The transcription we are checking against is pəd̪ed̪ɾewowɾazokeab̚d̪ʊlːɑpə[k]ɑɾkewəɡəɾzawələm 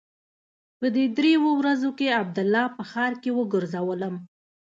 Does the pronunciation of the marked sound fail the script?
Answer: yes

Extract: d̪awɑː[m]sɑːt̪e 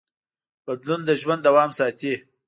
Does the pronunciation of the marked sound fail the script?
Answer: no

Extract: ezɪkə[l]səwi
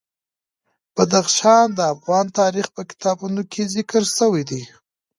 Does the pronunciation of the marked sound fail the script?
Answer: yes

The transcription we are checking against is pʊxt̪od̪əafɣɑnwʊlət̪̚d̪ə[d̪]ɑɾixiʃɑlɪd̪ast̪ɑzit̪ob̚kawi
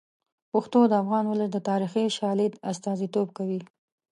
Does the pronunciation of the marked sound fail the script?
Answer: yes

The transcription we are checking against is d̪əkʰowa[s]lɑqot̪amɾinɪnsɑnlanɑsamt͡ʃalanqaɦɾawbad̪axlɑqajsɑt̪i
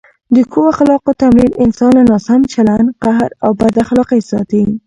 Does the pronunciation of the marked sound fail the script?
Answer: yes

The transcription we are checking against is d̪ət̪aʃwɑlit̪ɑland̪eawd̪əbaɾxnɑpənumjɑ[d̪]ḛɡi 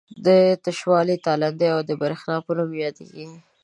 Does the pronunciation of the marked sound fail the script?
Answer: no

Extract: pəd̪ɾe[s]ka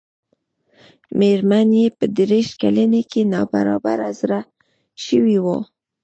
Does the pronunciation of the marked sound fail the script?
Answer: yes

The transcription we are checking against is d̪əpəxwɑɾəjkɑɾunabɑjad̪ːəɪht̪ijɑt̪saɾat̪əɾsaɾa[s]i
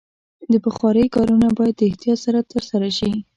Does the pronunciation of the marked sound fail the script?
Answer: yes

